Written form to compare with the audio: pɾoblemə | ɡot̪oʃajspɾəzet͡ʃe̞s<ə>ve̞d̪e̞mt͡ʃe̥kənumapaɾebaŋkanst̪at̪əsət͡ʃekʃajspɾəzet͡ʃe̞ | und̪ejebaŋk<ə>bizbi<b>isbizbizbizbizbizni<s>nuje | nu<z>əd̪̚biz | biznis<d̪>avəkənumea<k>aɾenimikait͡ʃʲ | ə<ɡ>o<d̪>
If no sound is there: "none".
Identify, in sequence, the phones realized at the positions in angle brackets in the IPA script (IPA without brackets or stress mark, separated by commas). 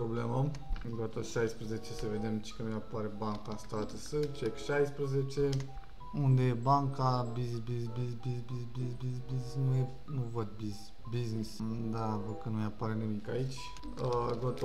ə, a, b, s, v, d̪, p, ɡ, t̪